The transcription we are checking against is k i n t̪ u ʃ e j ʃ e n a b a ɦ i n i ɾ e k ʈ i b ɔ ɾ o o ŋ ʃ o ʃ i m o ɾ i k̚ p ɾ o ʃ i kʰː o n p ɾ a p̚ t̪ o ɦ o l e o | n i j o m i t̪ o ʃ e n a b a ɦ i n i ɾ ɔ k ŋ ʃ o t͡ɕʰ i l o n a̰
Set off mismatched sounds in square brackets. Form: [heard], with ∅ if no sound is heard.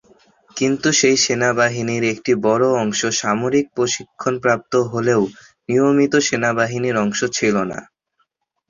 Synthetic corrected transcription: k i n t̪ u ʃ e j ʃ e n a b a ɦ i n i ɾ e k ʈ i b ɔ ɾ o [ɔ] ŋ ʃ o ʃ [a] m o ɾ i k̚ p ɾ o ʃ i kʰː o n p ɾ a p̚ t̪ o ɦ o l e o | n i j o m i t̪ o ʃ e n a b a ɦ i n i ɾ ɔ [∅] ŋ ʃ o t͡ɕʰ i l o n a̰